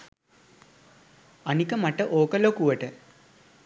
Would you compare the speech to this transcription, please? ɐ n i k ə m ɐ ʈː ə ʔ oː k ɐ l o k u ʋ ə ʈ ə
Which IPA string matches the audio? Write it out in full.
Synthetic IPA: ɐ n i k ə m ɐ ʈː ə ʔ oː k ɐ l o k u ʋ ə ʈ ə